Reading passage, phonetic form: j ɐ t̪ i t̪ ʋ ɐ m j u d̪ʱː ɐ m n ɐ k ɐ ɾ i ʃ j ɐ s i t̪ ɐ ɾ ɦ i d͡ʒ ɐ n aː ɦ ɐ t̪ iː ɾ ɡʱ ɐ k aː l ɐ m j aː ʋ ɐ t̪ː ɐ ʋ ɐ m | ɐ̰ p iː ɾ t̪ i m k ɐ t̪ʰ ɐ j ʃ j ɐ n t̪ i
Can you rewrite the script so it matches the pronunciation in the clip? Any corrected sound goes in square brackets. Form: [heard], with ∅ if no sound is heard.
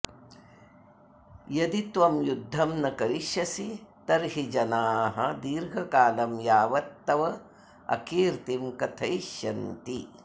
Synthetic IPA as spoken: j ɐ [d̪] i t̪ ʋ ɐ m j u d̪ʱː ɐ m n ɐ k ɐ ɾ i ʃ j ɐ s i t̪ ɐ ɾ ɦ i d͡ʒ ɐ n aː ɦ ɐ [d̪] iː ɾ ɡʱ ɐ k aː l ɐ m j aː ʋ ɐ t̪ː ɐ ʋ ɐ [∅] | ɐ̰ [k] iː ɾ t̪ i m k ɐ t̪ʰ ɐ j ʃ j ɐ n t̪ i

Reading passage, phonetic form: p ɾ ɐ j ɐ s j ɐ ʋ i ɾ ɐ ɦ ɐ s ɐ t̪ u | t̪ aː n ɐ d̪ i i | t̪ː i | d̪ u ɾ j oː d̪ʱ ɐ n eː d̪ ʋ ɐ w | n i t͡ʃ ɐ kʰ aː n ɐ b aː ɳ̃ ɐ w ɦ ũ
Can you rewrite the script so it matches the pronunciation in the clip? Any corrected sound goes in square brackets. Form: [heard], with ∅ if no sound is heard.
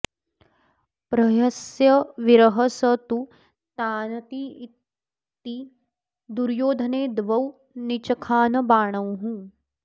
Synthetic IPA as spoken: p ɾ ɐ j ɐ s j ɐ ʋ i ɾ ɐ ɦ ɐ s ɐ t̪ u | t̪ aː n ɐ [t̪] i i | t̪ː i | d̪ u ɾ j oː d̪ʱ ɐ n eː d̪ ʋ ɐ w | n i t͡ʃ ɐ kʰ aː n ɐ b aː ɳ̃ ɐ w ɦ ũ

